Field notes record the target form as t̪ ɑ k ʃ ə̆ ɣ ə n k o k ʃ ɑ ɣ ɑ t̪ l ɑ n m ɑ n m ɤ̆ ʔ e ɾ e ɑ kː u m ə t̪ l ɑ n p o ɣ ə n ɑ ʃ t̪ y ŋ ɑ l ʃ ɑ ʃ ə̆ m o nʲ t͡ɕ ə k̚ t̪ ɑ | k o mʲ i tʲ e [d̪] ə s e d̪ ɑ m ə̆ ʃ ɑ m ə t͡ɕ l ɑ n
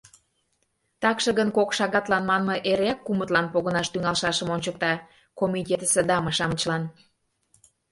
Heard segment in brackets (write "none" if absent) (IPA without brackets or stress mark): t̪